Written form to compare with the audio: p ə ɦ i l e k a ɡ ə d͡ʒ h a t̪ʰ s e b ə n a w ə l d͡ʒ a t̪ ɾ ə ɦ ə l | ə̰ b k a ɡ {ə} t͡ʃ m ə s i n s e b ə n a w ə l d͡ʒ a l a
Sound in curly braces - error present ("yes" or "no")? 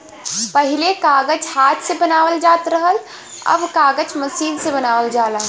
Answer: no